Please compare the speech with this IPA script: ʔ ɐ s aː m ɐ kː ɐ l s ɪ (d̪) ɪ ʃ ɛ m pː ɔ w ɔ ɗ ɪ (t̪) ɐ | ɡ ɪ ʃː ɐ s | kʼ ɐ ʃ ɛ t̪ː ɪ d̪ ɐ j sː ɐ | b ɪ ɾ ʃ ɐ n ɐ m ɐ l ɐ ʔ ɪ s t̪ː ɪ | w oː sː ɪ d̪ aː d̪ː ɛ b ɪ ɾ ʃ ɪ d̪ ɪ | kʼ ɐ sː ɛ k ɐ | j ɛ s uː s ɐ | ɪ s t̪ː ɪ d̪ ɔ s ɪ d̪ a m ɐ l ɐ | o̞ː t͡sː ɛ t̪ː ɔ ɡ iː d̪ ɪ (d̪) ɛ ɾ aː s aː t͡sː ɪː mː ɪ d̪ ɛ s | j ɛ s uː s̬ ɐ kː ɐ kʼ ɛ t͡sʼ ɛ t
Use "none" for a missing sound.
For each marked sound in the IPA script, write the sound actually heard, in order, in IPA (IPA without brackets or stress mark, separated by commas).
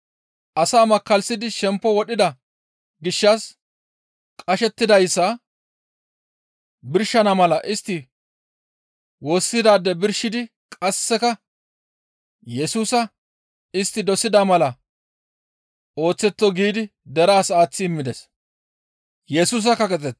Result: d̪, d̪, d̪